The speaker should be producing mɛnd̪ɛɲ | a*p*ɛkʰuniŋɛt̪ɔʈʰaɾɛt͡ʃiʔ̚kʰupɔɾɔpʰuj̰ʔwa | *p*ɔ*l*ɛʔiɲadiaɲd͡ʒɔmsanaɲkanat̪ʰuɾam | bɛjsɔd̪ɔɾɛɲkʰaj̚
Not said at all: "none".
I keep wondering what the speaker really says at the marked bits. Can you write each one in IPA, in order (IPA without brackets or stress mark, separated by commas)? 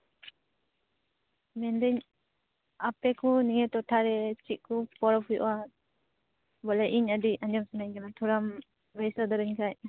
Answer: p, b, l